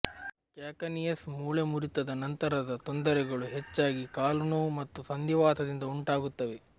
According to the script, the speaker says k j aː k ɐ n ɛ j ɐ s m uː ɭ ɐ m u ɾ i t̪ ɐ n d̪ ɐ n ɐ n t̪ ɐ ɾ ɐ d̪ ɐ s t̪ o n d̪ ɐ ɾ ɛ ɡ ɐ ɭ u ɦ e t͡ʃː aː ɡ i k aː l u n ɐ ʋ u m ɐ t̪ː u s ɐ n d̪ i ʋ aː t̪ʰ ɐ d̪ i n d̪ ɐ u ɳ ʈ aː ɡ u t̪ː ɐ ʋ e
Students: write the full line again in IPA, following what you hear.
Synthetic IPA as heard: k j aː k ɐ n i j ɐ s m uː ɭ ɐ m u ɾ i t̪ ɐ d̪ ɐ n ɐ n t̪ ɐ ɾ ɐ d̪ ɐ t̪ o n d̪ ɐ ɾ ɛ ɡ ɐ ɭ u ɦ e t͡ʃː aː ɡ i k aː l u n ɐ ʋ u m ɐ t̪ː u s ɐ n d̪ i ʋ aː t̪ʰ ɐ d̪ i n d̪ ɐ u ɳ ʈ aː ɡ u t̪ː ɐ ʋ e